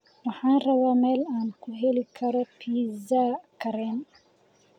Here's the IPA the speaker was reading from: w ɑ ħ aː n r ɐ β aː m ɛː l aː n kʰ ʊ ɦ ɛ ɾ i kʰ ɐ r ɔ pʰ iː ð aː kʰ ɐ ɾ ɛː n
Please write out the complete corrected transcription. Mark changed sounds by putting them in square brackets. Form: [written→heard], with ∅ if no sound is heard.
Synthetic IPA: w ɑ ħ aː n r ɐ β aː m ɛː l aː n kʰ ʊ ɦ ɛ [ɾ→l] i kʰ ɐ [r→ɾ] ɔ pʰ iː [ð→z] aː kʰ ɐ ɾ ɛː n